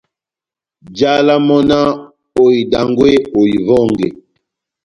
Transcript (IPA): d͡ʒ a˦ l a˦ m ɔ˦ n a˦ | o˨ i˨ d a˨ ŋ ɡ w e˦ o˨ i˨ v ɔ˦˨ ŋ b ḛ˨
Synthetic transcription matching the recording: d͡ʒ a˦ l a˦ m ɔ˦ n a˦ | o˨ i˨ d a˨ ŋ ɡ w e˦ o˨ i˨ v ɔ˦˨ ŋ ɡ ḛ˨